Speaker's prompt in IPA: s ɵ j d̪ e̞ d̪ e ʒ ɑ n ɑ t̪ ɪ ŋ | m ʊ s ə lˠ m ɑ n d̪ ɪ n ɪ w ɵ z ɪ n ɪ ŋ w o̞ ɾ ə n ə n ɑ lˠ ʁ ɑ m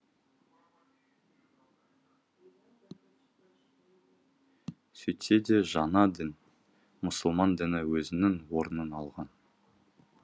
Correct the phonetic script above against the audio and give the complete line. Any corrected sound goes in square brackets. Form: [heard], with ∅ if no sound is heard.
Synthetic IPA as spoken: s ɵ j [t̪] e̞ d̪ e ʒ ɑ n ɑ [d̪] ɪ [n] | m ʊ s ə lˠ m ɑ n d̪ ɪ n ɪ w ɵ z ɪ n ɪ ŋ w o̞ ɾ ə n ə n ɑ lˠ ʁ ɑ [n]

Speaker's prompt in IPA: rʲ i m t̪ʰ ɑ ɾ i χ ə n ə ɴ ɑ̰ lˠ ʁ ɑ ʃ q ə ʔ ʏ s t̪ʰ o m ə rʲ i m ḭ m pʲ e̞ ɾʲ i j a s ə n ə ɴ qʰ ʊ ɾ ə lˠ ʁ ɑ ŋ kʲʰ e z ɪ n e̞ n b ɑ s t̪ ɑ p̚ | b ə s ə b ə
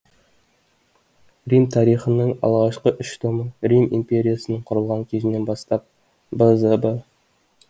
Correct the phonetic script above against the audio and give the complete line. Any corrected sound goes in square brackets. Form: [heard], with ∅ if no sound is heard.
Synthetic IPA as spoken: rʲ i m t̪ʰ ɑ ɾ i χ ə n ə ɴ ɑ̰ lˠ ʁ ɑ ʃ q ə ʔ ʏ [ʃ] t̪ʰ o m ə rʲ i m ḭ m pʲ e̞ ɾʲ i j a s ə n ə ɴ qʰ ʊ ɾ ə lˠ ʁ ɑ ŋ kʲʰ e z ɪ n e̞ n b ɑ s t̪ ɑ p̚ | b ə [z] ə b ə

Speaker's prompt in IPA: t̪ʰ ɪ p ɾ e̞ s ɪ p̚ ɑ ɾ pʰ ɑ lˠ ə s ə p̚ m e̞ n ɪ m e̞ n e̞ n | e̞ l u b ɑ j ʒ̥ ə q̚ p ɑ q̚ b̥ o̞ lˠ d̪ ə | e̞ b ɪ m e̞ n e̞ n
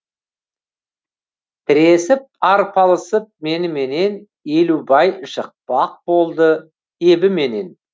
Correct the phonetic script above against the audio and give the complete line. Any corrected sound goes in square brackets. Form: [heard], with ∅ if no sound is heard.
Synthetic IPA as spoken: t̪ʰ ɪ [∅] ɾ e̞ s ɪ p̚ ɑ ɾ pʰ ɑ lˠ ə s ə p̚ m e̞ n ɪ m e̞ n e̞ n | e̞ l u b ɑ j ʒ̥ ə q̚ p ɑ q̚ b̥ o̞ lˠ d̪ ə | e̞ b ɪ m e̞ n e̞ n

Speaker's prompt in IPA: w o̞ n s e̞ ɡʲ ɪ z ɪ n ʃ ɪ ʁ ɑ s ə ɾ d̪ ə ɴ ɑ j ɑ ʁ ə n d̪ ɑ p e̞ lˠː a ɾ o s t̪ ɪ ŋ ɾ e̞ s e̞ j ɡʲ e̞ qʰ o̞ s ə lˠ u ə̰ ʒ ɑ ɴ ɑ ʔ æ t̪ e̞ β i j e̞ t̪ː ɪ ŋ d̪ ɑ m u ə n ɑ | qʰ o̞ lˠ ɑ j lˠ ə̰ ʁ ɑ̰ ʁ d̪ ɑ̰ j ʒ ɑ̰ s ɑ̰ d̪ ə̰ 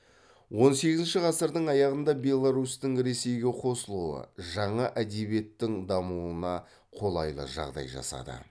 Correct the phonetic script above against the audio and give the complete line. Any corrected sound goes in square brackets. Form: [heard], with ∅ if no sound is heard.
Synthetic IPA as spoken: w o̞ n s e̞ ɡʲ ɪ z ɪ n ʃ ɪ ʁ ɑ s ə ɾ d̪ ə ɴ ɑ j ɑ ʁ ə n d̪ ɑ [b] e̞ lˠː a ɾ [u] s t̪ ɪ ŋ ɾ e̞ s e̞ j ɡʲ e̞ qʰ o̞ s ə lˠ u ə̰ ʒ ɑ ɴ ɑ ʔ æ [d̪] e̞ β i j e̞ t̪ː ɪ ŋ d̪ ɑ m u ə n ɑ | qʰ o̞ lˠ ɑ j lˠ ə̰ [ʒ] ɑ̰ ʁ d̪ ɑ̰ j ʒ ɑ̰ s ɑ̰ d̪ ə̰

